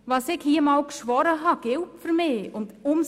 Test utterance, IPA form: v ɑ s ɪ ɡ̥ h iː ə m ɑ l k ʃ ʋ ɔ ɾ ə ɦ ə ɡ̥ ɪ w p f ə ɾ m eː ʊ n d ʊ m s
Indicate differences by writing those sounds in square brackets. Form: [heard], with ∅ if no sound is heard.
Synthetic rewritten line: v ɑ s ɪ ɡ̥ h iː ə m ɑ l k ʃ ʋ ɔ ɾ ə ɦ [ɑ] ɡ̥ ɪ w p f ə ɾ m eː ʊ n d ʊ m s